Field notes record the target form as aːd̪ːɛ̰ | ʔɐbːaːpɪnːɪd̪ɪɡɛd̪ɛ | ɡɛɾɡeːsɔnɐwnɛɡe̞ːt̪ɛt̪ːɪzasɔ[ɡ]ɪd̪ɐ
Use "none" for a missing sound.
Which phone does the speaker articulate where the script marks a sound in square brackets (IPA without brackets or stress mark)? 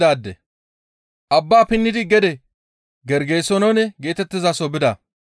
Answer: b